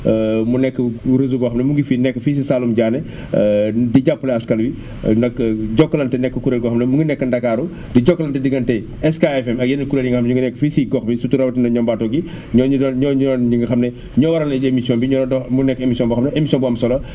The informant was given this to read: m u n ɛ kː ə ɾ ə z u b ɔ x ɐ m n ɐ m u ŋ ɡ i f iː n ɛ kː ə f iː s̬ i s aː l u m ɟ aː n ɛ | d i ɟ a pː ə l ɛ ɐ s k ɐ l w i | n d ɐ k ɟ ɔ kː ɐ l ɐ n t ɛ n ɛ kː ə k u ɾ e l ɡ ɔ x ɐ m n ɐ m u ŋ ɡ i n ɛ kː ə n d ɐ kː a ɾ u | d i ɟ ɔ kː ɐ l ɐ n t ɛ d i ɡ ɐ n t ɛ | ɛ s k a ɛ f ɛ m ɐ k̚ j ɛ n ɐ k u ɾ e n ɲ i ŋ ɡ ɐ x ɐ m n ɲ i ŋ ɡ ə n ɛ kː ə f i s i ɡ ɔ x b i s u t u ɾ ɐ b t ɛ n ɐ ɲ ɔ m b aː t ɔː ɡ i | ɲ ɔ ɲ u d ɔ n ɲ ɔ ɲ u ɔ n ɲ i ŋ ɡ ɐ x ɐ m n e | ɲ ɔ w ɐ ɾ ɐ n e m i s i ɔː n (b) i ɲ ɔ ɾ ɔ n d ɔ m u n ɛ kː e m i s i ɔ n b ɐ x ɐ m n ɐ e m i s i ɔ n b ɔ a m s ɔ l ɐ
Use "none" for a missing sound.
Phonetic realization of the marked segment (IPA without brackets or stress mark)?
b